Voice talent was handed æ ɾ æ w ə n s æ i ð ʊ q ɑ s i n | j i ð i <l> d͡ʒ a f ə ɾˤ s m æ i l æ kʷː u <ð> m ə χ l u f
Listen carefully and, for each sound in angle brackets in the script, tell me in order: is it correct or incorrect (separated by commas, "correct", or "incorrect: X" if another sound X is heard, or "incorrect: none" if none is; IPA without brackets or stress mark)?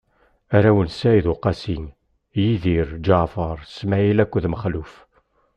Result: incorrect: ɾ, correct